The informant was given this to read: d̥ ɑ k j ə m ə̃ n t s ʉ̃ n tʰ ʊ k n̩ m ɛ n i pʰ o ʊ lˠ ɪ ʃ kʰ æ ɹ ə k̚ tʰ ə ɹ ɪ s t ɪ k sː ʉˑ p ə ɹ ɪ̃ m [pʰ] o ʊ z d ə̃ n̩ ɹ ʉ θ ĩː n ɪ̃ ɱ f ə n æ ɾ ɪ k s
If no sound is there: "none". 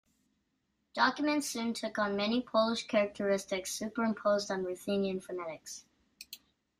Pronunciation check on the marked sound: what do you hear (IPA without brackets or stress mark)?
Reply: pʰ